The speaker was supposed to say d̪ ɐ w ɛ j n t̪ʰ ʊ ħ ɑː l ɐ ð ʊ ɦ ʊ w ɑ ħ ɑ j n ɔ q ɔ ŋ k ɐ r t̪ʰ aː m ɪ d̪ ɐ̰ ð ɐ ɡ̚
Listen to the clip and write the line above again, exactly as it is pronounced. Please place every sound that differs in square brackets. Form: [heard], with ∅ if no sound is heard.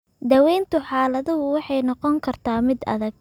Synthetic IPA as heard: d̪ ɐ w ɛ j n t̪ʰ ʊ ħ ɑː l ɐ ð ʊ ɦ ʊ w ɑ ħ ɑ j n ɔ q ɔ ŋ [kʰ] ɐ r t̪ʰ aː m ɪ d̪ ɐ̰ ð ɐ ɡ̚